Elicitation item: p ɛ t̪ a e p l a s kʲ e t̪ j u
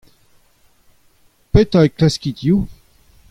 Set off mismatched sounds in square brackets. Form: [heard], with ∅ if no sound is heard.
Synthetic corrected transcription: p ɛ t̪ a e [k] l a s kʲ [i] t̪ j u